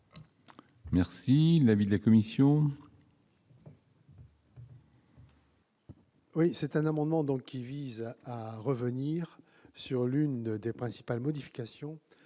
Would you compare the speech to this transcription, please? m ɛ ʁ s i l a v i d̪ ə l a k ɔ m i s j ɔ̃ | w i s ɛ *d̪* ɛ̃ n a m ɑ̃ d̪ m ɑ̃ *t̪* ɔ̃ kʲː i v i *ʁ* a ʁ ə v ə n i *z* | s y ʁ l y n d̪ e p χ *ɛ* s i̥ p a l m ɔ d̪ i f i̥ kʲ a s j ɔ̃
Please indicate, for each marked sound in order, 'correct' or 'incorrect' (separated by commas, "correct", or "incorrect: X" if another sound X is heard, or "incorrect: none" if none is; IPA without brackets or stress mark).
incorrect: t̪, incorrect: d̪, incorrect: z, incorrect: ʁ, incorrect: ɛ̃